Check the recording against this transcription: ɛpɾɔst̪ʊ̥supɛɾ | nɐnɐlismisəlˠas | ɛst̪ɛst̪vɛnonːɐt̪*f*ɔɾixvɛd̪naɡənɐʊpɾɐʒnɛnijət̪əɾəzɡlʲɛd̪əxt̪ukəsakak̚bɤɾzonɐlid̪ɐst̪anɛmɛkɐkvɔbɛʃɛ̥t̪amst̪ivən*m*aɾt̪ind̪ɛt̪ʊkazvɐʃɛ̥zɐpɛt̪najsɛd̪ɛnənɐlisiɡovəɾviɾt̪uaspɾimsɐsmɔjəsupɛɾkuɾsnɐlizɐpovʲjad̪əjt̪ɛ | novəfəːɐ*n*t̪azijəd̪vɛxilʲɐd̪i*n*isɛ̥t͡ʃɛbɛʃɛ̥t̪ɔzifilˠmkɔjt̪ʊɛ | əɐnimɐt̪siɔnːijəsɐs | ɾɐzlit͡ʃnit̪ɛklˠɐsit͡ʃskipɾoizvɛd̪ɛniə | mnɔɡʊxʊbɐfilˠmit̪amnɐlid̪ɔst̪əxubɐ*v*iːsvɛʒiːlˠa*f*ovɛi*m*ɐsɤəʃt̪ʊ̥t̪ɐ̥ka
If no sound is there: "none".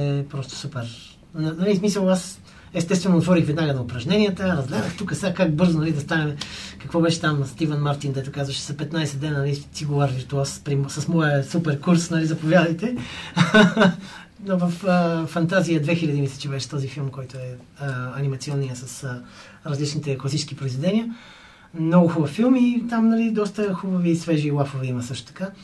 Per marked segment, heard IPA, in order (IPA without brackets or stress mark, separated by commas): v, m, n, m, v, f, m